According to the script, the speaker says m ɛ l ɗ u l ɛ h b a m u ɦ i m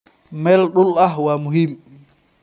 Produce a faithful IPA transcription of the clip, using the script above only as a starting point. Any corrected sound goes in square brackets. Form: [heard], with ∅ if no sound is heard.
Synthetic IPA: m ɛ l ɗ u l [a] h [w] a m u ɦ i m